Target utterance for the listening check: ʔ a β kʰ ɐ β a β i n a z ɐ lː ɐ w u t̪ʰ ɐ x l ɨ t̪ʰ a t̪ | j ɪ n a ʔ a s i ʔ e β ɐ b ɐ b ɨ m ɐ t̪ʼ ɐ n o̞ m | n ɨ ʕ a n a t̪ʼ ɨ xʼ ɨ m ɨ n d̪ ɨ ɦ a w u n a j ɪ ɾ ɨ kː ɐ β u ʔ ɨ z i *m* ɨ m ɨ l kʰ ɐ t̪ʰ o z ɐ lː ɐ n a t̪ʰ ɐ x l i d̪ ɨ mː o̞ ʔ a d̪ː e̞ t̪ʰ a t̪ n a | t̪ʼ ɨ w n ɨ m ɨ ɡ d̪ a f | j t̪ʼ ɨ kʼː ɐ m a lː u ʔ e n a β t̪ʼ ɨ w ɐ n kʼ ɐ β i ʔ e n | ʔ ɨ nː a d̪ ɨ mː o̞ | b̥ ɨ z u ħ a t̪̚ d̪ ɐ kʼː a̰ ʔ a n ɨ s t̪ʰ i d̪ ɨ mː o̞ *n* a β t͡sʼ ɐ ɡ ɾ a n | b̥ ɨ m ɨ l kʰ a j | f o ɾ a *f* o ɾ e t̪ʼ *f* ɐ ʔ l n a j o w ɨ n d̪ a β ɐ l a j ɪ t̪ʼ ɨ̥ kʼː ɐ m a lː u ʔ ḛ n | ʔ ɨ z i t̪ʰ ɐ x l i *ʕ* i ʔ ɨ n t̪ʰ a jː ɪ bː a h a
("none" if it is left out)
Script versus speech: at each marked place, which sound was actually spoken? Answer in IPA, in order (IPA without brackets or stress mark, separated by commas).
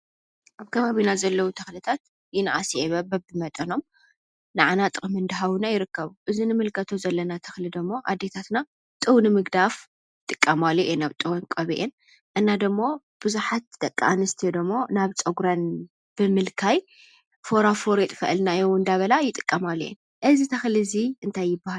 n, n, f, f, z